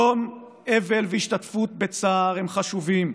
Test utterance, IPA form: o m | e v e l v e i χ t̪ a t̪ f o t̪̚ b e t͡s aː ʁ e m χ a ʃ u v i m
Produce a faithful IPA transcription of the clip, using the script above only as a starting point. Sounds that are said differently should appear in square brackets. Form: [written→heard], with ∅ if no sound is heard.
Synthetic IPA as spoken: o m | e v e l v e i [χ→ʃ] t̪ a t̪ f [o→u] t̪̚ b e t͡s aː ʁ e m χ a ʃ u v i m